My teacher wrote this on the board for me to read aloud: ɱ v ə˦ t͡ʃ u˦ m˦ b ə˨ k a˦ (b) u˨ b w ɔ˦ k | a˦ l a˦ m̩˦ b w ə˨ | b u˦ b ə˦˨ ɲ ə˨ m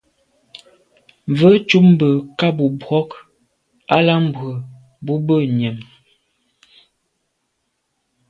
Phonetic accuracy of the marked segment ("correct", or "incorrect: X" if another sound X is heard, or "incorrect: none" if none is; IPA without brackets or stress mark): correct